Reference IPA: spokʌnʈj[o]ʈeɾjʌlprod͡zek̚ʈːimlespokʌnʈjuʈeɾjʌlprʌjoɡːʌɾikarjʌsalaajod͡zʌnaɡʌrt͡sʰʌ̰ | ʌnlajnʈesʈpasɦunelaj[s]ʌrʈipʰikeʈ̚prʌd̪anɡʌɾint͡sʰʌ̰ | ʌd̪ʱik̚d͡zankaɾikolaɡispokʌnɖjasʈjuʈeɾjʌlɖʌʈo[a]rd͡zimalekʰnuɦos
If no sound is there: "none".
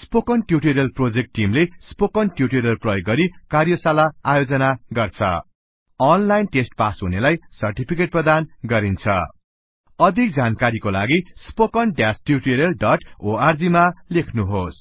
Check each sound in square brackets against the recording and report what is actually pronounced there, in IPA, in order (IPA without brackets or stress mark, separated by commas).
u, s, a